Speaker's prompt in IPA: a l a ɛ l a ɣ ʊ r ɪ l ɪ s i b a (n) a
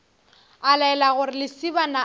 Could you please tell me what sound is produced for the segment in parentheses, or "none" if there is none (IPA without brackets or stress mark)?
n